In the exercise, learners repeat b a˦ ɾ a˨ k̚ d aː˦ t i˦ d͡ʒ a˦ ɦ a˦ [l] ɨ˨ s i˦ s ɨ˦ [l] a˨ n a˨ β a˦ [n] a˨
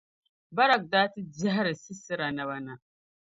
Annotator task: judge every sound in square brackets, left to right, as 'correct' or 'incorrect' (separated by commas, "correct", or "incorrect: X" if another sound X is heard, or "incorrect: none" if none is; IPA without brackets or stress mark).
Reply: incorrect: ɾ, incorrect: ɾ, correct